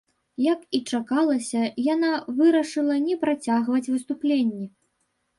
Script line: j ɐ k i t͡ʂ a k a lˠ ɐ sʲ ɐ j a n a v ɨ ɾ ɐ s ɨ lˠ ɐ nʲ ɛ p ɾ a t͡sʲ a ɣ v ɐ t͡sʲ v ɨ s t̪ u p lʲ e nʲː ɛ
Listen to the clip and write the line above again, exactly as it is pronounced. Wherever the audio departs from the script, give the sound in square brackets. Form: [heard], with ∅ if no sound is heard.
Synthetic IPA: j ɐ k i t͡ʂ a k a lˠ ɐ sʲ ɐ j a n a v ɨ ɾ ɐ [ʂ] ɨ lˠ ɐ nʲ ɛ p ɾ a t͡sʲ a ɣ v ɐ t͡sʲ v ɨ s t̪ u p lʲ e nʲː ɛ